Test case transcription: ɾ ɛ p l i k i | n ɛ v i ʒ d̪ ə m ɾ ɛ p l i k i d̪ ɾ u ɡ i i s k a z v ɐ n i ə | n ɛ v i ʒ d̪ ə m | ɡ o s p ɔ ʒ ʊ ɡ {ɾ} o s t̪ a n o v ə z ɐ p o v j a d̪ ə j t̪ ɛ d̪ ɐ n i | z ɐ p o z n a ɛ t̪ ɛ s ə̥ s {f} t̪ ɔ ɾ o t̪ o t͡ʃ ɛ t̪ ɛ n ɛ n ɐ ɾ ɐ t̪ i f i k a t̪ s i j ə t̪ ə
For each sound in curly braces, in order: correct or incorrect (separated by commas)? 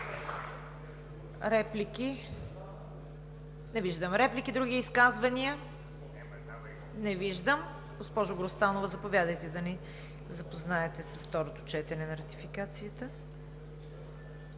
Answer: correct, correct